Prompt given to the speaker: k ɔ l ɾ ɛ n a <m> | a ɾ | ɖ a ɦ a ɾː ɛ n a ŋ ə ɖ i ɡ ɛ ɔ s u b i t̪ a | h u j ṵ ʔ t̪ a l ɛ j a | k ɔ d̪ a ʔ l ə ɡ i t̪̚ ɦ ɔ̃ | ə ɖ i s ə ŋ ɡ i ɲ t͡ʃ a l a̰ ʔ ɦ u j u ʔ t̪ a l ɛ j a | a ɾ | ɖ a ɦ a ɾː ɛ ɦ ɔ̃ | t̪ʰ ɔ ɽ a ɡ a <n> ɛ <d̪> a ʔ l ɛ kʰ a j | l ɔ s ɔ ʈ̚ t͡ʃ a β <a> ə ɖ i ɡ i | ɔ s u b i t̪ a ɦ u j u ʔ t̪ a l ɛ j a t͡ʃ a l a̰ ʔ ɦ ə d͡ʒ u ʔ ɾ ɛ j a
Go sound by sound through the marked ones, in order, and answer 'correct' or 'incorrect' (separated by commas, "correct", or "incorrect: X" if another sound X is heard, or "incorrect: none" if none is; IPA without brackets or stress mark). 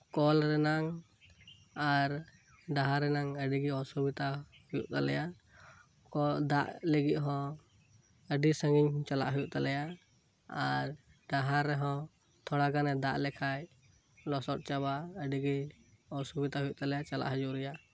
incorrect: ŋ, correct, correct, correct